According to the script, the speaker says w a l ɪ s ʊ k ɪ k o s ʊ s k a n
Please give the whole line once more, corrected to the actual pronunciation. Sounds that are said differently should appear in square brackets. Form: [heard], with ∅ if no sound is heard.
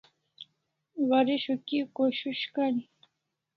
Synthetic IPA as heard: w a [ɾ] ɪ [ʃ] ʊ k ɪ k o [ʃ] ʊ [ʃ] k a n